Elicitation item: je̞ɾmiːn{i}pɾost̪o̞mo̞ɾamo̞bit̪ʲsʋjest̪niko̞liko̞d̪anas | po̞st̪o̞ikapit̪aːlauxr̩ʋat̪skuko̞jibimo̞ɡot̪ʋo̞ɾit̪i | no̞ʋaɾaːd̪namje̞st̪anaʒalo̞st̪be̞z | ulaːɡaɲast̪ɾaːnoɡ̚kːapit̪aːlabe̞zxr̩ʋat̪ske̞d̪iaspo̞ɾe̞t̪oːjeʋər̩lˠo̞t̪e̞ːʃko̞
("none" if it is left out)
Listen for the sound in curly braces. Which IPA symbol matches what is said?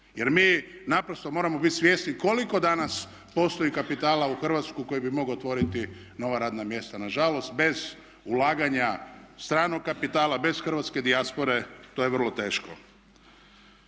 a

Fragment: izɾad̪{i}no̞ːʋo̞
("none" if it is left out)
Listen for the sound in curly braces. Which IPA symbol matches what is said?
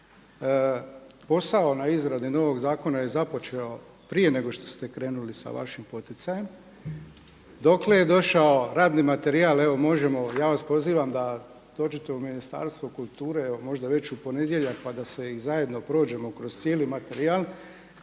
i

